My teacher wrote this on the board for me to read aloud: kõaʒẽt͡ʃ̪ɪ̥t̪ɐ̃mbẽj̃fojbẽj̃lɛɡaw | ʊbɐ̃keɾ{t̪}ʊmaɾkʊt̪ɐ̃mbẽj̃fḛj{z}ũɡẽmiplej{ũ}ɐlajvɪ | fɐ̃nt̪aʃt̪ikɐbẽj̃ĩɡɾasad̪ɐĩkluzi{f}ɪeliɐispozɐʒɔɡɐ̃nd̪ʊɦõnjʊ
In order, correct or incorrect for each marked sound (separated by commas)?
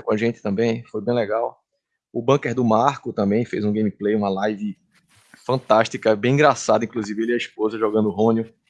incorrect, correct, correct, incorrect